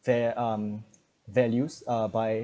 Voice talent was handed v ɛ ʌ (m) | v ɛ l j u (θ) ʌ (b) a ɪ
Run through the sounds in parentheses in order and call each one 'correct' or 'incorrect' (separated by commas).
correct, incorrect, correct